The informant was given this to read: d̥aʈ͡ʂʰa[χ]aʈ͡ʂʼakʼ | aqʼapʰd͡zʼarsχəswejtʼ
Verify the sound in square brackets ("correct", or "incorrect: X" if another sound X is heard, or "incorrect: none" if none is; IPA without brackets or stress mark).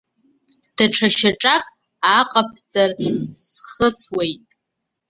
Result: incorrect: ʃ